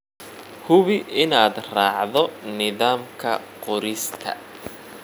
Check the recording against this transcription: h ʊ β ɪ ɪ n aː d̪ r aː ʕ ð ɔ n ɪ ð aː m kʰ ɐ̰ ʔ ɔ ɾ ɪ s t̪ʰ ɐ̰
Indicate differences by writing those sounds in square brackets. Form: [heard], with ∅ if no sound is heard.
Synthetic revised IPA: h ʊ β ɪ ɪ n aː d̪ r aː ʕ ð ɔ n ɪ ð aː m kʰ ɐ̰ [q] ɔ ɾ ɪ s t̪ʰ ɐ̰